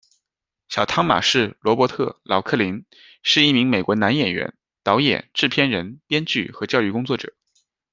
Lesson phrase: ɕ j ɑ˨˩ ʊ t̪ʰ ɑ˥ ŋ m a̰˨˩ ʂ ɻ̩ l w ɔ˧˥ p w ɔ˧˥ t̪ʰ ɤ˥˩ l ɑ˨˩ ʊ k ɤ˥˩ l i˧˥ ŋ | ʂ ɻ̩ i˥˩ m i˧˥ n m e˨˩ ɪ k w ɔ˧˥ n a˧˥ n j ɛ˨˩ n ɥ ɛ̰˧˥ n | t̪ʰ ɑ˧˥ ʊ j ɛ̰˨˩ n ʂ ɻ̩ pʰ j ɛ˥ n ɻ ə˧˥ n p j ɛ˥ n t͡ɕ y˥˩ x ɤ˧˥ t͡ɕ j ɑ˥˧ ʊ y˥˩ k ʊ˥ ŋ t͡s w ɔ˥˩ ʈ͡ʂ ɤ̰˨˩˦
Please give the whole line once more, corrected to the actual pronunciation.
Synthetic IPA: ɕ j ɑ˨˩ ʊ t̪ʰ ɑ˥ ŋ m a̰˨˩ ʂ ɻ̩ l w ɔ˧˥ p w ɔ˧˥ t̪ʰ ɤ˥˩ l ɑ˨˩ ʊ kʰ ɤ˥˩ l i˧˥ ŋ | ʂ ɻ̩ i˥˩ m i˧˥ ŋ m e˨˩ ɪ k w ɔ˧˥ n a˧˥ n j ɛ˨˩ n ɥ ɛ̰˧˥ n | t̪ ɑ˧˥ ʊ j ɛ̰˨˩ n ʈ͡ʂ ɻ̩ pʰ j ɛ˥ n ɻ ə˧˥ n p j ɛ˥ n t͡ɕ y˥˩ x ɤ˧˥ t͡ɕ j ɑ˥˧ ʊ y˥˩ k ʊ˥ ŋ t͡s w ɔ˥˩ ʈ͡ʂ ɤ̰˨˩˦